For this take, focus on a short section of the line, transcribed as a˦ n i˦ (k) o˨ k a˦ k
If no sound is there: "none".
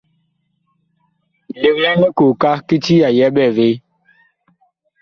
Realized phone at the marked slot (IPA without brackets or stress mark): k